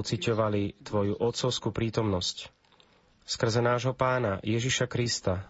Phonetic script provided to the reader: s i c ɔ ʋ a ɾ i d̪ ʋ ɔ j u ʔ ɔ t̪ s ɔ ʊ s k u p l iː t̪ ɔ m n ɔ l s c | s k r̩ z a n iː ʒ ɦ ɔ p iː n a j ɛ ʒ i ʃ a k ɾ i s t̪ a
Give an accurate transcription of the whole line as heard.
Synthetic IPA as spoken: t͡s i c ɔ ʋ a l i t̪ ʋ ɔ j u ʔ ɔ t̪ s ɔ ʊ s k u p ɾ iː t̪ ɔ m n ɔ s c | s k r̩ z ɛ n aː ʒ ɦ ɔ p aː n a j ɛ ʒ i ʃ a k ɾ i s t̪ a